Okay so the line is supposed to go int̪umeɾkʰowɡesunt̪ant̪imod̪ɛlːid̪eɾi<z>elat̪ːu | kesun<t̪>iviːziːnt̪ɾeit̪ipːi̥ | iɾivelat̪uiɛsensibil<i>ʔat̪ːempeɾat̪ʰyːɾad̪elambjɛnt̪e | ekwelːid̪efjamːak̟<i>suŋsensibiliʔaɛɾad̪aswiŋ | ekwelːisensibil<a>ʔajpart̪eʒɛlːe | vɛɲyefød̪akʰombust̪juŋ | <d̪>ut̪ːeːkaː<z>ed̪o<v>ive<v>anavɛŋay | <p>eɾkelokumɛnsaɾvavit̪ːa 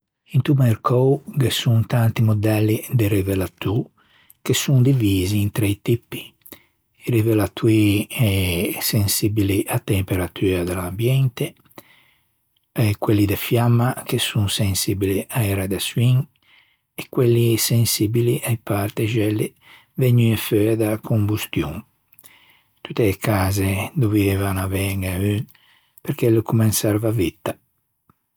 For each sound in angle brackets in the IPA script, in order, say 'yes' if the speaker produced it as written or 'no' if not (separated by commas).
no, no, yes, no, no, no, yes, yes, yes, yes